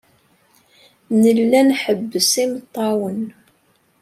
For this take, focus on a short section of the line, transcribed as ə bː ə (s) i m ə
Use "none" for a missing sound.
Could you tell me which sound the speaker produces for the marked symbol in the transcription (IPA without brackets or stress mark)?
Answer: s